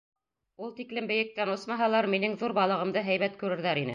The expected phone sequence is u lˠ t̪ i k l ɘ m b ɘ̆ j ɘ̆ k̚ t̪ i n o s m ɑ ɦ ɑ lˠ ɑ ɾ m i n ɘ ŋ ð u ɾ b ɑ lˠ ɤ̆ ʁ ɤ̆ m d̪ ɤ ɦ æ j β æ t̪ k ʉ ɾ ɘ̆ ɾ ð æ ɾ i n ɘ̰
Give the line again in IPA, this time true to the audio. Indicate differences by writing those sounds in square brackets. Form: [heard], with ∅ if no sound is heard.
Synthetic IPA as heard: u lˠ t̪ i k l ɘ m b ɘ̆ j ɘ̆ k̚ t̪ [æ] n o s m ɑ ɦ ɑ lˠ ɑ ɾ m i n ɘ ŋ ð u ɾ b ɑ lˠ ɤ̆ ʁ ɤ̆ m d̪ ɤ ɦ æ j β æ t̪ k ʉ ɾ ɘ̆ ɾ ð æ ɾ i n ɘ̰